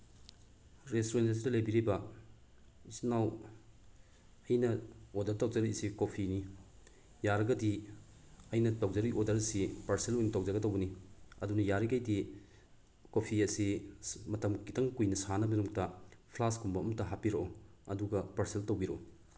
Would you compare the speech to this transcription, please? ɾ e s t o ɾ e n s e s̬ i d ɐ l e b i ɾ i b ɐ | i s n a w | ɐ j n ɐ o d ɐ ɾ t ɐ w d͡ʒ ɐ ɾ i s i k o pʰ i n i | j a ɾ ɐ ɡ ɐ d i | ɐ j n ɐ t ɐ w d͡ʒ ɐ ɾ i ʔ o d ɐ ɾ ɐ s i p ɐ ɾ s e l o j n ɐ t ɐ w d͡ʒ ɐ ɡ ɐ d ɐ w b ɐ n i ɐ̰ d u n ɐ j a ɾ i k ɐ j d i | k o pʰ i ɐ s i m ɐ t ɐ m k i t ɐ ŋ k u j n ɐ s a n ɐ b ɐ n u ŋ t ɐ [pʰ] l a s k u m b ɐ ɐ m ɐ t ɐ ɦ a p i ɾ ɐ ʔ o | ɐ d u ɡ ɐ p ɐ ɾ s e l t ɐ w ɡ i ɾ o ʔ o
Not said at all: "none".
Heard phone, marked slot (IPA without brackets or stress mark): pʰ